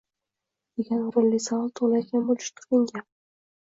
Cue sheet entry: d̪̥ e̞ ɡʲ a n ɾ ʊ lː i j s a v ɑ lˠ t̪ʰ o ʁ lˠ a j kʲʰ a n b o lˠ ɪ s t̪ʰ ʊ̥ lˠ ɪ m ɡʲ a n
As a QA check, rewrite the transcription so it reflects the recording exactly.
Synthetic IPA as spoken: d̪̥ e̞ ɡʲ a n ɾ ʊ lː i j s a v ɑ lˠ t̪ʰ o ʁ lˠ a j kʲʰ a n b o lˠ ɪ ʃ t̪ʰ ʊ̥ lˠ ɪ ŋ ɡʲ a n